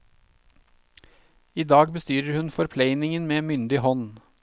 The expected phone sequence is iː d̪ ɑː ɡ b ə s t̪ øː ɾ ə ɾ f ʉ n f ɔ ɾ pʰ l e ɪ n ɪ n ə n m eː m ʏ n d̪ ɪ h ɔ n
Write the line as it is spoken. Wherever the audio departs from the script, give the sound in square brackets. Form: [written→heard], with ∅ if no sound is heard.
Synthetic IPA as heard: iː d̪ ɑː ɡ b ə s t̪ [øː→yː] ɾ ə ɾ [f→h] ʉ n f ɔ ɾ pʰ l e ɪ n ɪ [n→ŋ] ə n m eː m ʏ n d̪ ɪ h ɔ n